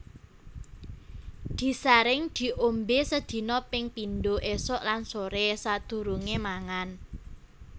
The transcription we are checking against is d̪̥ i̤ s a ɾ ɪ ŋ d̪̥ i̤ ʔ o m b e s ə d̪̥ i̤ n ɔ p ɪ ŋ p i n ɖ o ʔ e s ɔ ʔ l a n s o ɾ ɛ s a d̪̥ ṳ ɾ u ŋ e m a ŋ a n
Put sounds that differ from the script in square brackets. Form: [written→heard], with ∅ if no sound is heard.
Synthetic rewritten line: d̪̥ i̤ s a ɾ ɪ ŋ d̪̥ i̤ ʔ o m b e s ə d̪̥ i̤ n ɔ p ɪ ŋ p i n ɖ o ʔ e s ɔ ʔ l a n s o ɾ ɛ s a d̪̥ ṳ ɾ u ŋ e m a ŋ a n